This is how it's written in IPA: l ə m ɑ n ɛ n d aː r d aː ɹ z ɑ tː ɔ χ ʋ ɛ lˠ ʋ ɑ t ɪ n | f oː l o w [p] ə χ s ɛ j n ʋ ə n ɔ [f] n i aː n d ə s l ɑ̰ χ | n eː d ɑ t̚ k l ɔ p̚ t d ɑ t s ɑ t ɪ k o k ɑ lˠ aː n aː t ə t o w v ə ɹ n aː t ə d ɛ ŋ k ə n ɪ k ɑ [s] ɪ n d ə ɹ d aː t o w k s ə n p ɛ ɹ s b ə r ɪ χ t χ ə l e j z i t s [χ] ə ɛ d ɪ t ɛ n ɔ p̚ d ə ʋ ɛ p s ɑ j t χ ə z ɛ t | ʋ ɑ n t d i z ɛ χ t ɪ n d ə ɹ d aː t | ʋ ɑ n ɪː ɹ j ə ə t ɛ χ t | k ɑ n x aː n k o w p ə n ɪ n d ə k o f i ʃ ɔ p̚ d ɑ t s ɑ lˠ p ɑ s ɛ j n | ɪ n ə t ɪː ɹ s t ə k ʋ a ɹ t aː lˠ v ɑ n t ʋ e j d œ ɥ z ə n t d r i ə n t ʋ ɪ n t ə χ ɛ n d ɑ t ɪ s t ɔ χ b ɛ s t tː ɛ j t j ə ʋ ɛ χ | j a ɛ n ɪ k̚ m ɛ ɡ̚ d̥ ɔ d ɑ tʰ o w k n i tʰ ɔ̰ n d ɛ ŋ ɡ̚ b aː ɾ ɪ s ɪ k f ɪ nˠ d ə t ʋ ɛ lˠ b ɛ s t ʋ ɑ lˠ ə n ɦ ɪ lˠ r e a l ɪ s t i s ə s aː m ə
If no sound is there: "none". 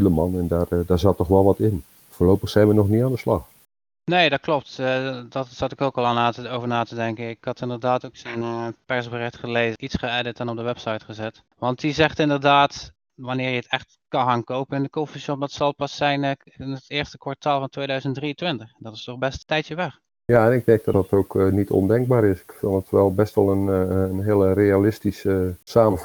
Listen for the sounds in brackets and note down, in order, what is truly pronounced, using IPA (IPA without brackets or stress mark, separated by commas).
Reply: p, χ, t, χ